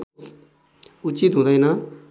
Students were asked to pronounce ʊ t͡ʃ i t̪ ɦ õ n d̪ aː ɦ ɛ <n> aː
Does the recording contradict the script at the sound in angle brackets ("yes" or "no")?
no